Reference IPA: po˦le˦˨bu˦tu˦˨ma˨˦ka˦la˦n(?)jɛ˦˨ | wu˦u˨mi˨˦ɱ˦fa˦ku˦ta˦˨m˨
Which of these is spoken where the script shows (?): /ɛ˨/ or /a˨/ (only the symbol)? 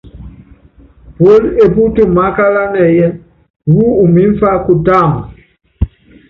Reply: ɛ˨